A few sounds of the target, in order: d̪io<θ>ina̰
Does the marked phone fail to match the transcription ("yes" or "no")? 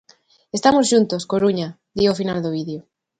yes